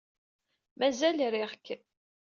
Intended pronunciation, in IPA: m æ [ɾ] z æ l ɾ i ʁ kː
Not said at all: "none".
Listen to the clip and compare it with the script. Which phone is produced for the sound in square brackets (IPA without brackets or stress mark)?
none